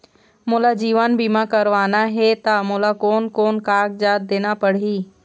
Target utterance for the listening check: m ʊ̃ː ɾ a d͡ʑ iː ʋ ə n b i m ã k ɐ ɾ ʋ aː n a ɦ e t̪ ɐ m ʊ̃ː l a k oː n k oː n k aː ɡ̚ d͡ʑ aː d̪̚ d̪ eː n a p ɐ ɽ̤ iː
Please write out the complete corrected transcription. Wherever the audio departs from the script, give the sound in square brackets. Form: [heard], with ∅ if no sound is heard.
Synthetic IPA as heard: m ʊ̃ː [l] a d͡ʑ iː ʋ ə n b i m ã k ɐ ɾ ʋ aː n a ɦ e t̪ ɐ m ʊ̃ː l a k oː n k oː n k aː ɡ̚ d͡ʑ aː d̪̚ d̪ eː n a p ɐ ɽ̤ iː